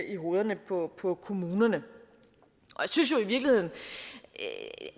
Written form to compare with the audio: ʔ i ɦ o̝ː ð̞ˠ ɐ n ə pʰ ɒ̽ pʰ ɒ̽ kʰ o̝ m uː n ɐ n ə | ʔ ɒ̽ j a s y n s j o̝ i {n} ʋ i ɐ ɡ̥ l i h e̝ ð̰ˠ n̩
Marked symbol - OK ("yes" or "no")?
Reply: no